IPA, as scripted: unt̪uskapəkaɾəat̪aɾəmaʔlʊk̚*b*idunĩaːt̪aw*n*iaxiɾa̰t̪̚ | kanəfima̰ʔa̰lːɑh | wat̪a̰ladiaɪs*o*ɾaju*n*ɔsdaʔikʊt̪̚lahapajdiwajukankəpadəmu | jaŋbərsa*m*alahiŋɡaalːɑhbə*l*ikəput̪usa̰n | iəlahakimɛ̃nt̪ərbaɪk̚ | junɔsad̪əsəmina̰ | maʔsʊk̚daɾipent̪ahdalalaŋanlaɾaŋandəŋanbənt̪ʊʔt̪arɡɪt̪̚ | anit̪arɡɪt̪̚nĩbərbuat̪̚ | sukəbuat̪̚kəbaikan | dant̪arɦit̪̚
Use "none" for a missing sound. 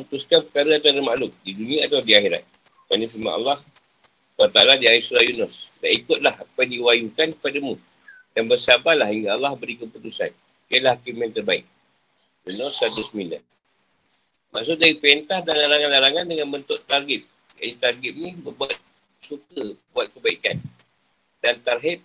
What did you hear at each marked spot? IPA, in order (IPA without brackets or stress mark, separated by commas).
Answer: d, d, u, n, b, ɾ